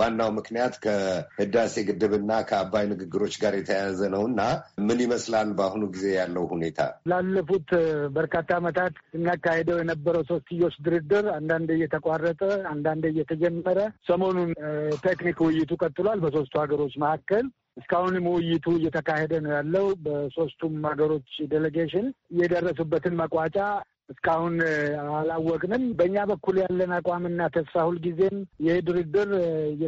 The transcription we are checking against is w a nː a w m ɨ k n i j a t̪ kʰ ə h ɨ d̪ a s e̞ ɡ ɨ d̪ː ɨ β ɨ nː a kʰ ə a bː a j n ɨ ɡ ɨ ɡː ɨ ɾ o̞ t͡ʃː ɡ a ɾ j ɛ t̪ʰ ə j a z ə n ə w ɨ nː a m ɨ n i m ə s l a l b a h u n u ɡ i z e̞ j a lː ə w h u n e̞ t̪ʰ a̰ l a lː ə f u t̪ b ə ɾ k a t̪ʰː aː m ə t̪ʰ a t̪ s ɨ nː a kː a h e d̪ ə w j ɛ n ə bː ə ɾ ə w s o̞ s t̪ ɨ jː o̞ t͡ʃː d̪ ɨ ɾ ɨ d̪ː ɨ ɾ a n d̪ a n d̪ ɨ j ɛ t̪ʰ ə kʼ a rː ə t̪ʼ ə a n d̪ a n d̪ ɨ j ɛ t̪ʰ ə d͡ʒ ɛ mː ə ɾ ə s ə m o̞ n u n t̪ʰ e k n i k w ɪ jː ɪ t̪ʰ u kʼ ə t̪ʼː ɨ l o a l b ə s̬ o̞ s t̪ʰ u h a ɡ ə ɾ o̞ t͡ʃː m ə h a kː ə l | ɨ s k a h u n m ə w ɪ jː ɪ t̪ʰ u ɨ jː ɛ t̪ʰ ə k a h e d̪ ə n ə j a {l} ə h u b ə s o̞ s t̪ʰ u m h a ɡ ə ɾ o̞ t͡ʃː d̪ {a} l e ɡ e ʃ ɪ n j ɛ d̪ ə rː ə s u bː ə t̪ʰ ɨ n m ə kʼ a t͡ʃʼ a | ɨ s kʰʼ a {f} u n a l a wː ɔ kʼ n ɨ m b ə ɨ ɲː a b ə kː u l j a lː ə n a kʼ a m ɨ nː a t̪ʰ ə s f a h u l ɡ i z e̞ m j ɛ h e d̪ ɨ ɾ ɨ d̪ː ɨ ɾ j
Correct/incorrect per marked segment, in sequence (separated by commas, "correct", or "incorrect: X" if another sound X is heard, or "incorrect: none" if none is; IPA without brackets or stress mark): incorrect: lː, incorrect: e, incorrect: h